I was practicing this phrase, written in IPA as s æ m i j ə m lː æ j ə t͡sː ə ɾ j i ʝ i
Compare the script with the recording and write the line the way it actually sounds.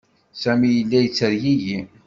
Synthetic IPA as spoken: s æ m i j ə lː æ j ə t͡sː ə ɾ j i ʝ i